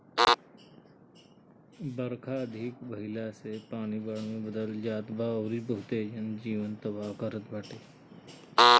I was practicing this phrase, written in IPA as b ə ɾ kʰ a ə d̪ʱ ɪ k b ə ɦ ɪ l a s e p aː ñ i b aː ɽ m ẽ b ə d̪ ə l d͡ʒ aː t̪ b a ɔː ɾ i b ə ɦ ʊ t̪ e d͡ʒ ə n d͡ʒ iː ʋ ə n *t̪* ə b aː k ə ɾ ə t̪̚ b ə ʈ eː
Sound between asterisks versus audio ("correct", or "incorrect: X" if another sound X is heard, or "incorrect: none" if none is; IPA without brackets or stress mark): correct